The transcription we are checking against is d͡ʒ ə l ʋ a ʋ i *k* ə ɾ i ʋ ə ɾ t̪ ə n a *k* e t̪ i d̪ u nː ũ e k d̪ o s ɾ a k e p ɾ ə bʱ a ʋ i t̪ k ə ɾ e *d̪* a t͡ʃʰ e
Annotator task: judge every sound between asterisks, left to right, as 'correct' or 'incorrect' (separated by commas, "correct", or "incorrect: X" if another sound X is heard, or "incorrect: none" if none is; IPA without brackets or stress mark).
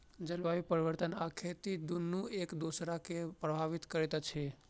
incorrect: p, incorrect: kʰ, incorrect: t̪